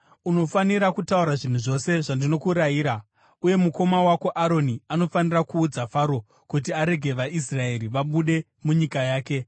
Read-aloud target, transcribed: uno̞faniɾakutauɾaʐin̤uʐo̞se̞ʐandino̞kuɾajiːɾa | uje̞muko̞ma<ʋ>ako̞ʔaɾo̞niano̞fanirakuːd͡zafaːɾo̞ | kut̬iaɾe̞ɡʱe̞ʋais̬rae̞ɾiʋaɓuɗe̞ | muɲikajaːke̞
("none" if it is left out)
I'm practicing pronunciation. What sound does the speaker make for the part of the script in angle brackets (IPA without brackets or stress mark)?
w